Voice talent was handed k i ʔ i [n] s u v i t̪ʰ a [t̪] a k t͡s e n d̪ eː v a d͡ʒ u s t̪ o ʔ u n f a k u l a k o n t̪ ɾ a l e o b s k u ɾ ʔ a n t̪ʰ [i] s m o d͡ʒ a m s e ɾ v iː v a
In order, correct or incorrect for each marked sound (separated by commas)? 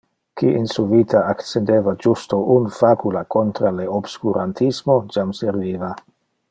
correct, incorrect, correct